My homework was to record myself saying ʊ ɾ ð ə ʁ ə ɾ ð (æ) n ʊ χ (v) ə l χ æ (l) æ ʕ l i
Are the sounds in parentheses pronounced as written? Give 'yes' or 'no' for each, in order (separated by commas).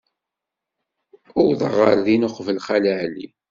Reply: no, yes, yes